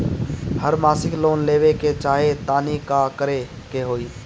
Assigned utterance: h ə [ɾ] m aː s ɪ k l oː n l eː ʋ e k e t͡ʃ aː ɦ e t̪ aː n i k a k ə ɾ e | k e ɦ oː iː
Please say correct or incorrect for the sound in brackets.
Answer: correct